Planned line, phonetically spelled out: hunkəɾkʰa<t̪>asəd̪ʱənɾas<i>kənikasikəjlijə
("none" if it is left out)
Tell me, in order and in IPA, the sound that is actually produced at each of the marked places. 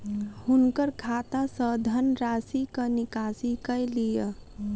t̪, i

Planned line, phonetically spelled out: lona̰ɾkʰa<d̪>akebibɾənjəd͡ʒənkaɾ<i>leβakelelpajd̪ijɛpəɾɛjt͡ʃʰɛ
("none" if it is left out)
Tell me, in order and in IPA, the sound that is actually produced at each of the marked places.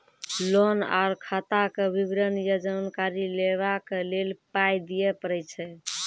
t̪, i

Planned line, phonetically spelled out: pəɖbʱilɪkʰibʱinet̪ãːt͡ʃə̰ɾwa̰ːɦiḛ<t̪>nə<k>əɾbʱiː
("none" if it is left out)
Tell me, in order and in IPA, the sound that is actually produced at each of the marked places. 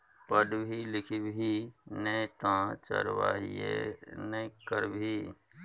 none, k

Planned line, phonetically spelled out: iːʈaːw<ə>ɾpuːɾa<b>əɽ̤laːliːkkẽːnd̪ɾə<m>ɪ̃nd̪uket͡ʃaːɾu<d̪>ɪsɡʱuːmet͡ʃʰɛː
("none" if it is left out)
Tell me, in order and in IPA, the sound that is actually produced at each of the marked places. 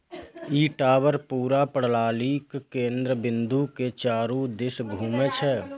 ə, p, b, d̪

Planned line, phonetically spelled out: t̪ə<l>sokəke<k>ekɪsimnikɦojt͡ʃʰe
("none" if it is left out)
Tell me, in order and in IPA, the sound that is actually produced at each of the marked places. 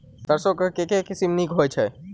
ɾ, k

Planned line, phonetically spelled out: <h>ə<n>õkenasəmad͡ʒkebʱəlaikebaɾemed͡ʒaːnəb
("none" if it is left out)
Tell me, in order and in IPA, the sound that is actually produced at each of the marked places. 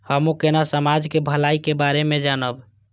h, m

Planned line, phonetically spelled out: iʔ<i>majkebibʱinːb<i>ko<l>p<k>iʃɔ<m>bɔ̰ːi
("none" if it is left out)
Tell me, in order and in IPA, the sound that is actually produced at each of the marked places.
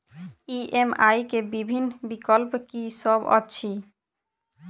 e, i, l, k, none

